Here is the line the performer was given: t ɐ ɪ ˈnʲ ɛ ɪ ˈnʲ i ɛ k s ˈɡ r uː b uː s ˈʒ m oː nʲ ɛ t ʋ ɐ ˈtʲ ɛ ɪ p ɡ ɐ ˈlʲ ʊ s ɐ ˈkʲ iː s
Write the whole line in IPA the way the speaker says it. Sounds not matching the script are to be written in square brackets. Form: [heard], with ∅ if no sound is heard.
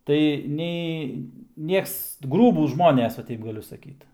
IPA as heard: t ɐ ɪ ˈnʲ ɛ ɪ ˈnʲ i ɛ k s ˈɡ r uː b uː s ˈʒ m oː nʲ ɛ [s] ʋ ɐ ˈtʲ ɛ ɪ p ɡ ɐ ˈlʲ ʊ s ɐ ˈkʲ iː [t]